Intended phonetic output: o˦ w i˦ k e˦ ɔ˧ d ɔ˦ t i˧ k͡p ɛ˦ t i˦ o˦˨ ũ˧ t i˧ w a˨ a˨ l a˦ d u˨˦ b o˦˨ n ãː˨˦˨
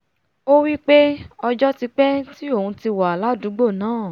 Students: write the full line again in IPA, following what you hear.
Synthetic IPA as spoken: o˦ w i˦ k͡p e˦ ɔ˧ d͡ʒ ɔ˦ t i˧ k͡p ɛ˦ t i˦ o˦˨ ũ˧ t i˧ w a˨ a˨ l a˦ d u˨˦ ɡ͡b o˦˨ n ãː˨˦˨